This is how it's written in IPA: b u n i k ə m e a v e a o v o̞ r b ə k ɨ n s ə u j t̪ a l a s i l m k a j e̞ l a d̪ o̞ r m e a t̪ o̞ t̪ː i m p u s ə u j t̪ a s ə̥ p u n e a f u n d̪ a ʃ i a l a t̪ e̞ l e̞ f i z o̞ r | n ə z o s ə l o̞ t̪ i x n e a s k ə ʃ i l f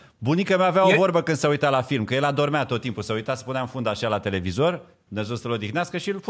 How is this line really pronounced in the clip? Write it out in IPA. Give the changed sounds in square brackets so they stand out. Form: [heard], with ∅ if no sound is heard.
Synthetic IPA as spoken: b u n i k ə m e a v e a o v o̞ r b ə k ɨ n s ə u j t̪ a l a [f] i l m k [ə] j e̞ l a d̪ o̞ r m e a t̪ o̞ t̪ː i m p u s ə u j t̪ a s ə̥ p u n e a f u n d̪ a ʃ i a l a t̪ e̞ l e̞ [v] i z o̞ r | n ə z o s ə l o̞ [d̪] i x n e a s k ə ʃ i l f